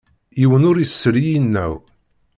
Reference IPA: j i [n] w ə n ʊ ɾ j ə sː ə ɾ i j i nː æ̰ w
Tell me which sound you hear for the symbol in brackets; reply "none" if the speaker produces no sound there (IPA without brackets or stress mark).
none